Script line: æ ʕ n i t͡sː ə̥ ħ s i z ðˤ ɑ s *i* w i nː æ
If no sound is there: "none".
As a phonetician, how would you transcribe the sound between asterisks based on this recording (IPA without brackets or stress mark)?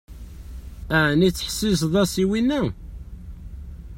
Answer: i